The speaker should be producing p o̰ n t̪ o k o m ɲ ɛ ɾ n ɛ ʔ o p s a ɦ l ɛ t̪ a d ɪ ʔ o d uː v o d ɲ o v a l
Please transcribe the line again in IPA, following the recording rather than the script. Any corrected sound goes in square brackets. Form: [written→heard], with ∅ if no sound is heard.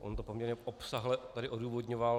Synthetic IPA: [p→ʔ] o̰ n t̪ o [k→p] o m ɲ ɛ ɾ [n→ɲ] ɛ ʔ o p s a ɦ l ɛ t̪ a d ɪ ʔ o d uː v o d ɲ o v a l